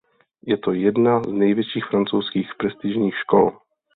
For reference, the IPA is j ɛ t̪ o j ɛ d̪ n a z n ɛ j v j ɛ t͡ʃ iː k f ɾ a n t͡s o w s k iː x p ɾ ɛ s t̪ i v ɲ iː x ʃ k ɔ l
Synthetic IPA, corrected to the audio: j ɛ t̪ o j ɛ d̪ n a z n ɛ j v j ɛ t͡ʃ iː x f ɾ a n t͡s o w s k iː x p ɾ ɛ s t̪ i ʒ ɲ iː x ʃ k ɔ l